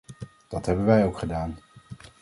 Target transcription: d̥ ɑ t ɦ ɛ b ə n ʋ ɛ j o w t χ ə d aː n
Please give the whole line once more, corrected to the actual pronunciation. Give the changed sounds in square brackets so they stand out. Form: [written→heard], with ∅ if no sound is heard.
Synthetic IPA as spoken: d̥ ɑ t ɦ ɛ b ə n ʋ ɛ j o w [t→k] χ ə d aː n